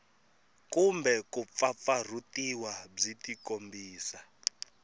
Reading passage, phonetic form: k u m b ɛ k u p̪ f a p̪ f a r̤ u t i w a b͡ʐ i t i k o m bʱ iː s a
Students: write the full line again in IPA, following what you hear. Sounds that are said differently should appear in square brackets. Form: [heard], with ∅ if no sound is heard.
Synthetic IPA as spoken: k u m b ɛ k u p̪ f a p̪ f a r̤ u t i w a b͡ʐ i t i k o m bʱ iː s a